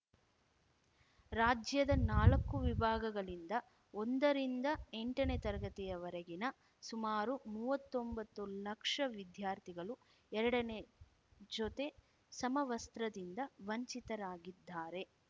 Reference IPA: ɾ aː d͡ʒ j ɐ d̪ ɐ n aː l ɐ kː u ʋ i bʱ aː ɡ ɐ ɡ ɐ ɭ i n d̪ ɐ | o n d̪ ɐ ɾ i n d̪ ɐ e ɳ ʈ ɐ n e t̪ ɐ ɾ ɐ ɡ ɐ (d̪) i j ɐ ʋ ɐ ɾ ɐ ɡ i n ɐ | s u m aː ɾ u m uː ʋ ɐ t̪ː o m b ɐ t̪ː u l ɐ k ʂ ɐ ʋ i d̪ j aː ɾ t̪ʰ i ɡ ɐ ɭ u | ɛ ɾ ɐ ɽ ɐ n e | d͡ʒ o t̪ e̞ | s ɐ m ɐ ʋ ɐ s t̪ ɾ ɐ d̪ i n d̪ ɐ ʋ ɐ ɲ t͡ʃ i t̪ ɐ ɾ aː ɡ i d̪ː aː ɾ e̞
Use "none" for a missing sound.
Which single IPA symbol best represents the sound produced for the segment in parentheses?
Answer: t̪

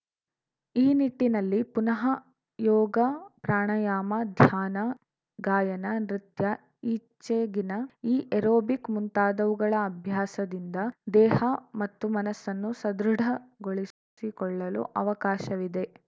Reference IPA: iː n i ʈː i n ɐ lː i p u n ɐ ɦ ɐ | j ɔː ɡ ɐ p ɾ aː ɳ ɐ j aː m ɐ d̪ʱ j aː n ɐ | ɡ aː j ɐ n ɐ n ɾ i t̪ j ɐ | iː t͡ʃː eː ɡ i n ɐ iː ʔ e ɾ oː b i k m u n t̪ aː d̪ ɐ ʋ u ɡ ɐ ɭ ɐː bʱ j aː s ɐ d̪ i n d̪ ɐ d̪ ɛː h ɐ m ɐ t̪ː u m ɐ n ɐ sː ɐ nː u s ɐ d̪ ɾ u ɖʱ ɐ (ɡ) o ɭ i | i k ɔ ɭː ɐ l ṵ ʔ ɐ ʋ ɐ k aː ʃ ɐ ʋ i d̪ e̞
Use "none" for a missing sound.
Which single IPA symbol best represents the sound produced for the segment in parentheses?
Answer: ɡ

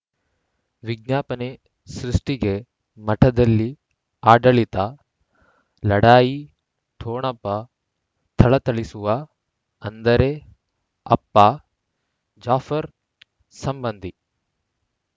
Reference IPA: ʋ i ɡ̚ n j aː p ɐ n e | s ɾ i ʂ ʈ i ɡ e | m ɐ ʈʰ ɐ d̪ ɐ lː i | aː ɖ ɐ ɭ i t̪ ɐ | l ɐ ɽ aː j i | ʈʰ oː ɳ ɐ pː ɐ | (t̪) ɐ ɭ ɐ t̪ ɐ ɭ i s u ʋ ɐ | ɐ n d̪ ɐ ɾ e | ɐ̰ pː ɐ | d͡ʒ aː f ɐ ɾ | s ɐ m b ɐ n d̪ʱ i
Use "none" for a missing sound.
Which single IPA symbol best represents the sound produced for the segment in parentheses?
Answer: t̪ʰ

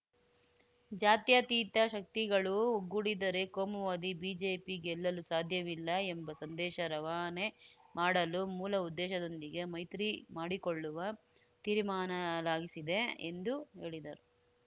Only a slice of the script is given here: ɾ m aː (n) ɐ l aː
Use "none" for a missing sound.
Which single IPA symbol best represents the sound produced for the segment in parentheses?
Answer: n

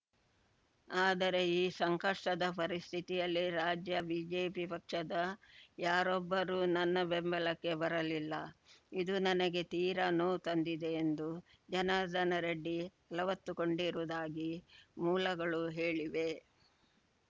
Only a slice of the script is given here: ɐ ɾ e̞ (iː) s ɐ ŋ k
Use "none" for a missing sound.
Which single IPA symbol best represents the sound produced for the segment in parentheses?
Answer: iː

